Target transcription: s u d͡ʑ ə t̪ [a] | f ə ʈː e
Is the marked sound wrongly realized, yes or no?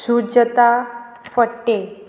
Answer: no